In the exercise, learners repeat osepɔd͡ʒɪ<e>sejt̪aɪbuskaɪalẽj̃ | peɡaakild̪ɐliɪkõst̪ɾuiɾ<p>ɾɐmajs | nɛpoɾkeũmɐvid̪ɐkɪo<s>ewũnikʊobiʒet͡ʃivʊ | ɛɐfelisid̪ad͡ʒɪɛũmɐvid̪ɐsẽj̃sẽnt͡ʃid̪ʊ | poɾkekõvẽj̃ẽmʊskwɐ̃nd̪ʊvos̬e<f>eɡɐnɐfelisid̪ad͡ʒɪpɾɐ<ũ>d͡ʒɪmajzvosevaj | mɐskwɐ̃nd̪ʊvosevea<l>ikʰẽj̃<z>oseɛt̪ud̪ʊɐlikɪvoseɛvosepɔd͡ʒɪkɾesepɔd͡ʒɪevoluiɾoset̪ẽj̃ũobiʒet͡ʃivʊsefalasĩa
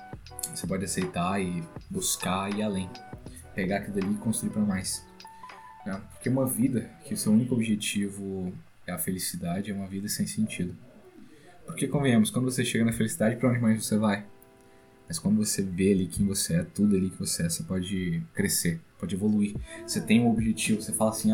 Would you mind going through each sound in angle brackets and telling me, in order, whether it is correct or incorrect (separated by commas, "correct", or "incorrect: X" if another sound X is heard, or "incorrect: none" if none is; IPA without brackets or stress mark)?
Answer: incorrect: a, correct, correct, incorrect: ʃ, incorrect: õ, correct, incorrect: v